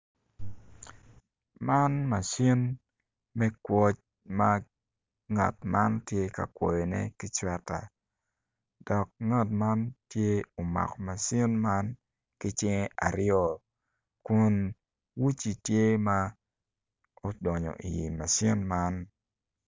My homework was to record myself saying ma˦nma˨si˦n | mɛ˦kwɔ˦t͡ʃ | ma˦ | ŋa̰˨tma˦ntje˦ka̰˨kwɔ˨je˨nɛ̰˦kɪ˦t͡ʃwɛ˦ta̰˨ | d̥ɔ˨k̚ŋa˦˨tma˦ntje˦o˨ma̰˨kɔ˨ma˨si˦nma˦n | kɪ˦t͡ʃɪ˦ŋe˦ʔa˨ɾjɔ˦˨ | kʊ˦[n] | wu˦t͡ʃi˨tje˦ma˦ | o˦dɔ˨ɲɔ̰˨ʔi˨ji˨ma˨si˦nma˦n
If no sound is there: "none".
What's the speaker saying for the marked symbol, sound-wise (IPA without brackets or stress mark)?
n